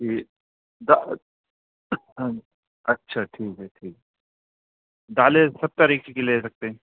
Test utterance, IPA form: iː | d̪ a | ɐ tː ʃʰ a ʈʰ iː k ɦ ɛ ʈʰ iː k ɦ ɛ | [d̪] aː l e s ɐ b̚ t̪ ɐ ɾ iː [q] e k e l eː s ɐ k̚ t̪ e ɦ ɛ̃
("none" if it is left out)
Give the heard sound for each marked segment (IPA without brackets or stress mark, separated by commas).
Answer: d̪, k